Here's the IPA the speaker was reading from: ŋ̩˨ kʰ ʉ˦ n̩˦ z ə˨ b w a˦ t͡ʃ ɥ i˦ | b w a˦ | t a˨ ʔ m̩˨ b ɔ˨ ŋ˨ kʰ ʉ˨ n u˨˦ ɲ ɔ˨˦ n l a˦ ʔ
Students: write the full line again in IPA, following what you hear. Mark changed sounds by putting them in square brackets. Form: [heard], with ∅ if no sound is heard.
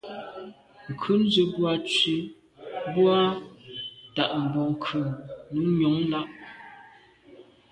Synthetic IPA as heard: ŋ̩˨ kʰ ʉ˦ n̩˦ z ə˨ b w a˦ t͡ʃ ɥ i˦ | b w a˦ | t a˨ ʔ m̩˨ b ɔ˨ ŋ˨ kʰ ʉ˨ n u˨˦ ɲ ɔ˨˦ [ŋ] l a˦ ʔ